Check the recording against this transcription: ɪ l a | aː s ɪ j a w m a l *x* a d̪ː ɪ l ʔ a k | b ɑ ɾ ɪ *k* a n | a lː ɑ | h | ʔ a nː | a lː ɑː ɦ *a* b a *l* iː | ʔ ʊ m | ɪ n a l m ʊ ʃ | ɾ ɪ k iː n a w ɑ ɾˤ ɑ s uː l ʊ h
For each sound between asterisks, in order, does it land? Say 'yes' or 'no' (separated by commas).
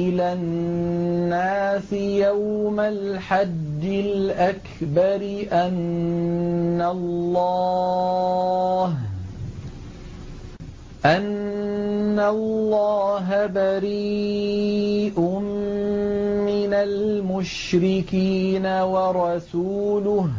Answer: no, no, yes, no